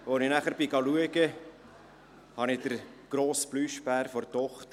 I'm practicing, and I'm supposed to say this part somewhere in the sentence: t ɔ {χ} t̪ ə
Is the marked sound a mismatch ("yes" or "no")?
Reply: no